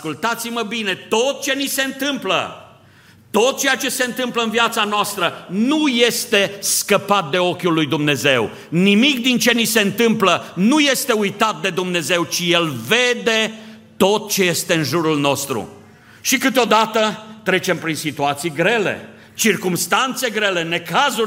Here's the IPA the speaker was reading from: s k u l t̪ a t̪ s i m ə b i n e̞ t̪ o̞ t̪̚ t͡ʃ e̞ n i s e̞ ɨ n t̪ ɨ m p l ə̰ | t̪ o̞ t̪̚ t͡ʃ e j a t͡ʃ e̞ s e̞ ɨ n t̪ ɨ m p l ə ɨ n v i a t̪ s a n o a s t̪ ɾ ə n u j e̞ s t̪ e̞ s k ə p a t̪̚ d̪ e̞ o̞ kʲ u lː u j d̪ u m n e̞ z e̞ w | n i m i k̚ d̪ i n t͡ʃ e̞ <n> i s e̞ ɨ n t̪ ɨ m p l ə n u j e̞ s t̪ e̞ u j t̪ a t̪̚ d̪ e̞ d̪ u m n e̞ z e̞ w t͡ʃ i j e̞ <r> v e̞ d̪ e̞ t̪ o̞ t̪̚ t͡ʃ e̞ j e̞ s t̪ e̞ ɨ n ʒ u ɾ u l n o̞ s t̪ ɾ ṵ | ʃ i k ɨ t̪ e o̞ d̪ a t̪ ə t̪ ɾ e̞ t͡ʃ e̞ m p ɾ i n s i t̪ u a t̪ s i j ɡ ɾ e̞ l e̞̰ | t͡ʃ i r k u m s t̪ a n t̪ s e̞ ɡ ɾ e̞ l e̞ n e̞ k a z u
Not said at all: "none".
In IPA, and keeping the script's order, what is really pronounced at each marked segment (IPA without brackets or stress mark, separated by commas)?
n, l